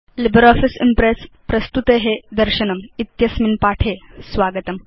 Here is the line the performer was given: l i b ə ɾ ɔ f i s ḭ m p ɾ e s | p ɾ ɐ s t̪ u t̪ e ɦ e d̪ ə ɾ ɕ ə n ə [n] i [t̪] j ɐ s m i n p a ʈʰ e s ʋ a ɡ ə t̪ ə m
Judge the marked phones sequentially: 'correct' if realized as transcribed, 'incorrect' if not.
incorrect, correct

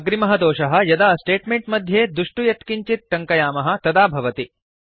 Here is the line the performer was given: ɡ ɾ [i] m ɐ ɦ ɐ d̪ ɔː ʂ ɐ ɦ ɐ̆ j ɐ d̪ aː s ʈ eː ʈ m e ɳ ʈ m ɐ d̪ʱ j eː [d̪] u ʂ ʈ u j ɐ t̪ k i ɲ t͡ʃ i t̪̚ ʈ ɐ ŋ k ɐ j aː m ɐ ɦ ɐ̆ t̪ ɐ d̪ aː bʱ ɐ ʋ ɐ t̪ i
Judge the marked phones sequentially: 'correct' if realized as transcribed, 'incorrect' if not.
correct, correct

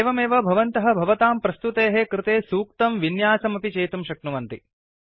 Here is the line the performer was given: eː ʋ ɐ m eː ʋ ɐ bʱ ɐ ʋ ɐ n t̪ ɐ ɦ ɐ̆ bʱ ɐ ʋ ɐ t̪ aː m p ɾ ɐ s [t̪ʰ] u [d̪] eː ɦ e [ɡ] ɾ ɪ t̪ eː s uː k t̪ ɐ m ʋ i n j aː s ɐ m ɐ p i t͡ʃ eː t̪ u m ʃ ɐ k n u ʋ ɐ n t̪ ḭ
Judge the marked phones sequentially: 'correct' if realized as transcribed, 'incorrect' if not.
incorrect, incorrect, incorrect

